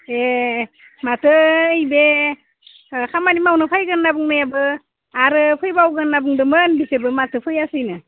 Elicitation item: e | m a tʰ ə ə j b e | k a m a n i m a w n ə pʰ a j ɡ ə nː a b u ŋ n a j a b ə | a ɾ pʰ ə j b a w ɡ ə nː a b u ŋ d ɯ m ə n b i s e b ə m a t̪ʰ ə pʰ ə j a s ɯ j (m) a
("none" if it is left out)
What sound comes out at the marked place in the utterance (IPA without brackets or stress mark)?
n